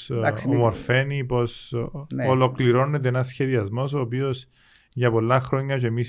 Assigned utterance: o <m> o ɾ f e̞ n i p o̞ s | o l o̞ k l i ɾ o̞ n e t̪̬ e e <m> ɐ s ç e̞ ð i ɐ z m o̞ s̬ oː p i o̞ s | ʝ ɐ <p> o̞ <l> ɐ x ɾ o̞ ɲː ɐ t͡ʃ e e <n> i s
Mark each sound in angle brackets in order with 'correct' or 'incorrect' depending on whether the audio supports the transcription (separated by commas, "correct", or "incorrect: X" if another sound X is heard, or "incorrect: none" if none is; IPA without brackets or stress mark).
correct, incorrect: n, correct, incorrect: lː, incorrect: m